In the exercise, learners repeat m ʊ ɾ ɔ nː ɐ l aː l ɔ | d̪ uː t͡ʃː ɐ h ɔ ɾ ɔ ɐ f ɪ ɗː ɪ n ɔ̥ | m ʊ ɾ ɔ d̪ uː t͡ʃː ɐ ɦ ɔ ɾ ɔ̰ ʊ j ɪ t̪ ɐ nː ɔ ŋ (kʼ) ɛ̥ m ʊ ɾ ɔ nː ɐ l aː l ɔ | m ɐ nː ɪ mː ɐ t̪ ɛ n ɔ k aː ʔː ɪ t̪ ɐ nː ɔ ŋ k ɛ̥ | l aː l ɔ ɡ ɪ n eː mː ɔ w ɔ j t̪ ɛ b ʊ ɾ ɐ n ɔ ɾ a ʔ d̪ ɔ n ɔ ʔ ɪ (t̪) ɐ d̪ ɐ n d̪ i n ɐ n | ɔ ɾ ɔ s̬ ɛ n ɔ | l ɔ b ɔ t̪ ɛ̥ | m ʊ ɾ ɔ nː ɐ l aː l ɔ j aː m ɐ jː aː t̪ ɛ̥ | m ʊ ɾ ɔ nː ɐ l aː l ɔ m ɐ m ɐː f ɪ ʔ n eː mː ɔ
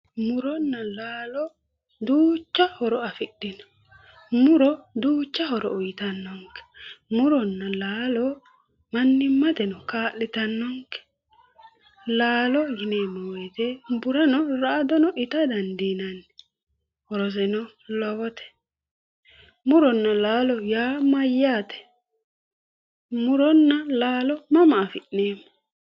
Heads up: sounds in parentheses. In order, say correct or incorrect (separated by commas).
incorrect, correct